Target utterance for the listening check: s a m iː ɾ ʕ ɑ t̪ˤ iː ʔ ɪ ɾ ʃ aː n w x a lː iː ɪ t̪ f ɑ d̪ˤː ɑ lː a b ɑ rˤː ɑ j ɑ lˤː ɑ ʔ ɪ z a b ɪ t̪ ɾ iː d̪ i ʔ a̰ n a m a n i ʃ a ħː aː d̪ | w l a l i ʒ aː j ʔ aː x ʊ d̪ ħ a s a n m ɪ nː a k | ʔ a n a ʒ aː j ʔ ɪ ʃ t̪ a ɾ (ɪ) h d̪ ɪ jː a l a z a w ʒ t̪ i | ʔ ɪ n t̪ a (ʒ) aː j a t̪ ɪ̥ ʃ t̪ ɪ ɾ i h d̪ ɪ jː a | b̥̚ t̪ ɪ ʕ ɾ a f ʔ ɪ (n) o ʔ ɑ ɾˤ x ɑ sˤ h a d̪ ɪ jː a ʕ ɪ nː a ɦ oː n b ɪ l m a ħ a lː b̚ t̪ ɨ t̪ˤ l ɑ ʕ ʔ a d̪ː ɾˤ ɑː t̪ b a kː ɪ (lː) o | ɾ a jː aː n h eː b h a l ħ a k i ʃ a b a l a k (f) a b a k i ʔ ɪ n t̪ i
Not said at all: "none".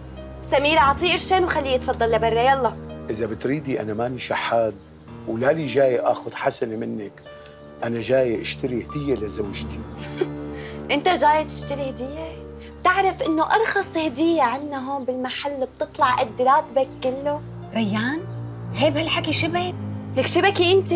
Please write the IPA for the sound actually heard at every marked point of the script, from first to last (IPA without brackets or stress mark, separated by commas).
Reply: i, ʒ, nː, lː, ʃ